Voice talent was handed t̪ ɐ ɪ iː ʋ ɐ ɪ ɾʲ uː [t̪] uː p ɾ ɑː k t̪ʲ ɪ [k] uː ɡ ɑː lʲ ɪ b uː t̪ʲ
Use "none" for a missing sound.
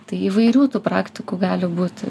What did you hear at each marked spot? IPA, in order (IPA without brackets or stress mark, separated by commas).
t̪, k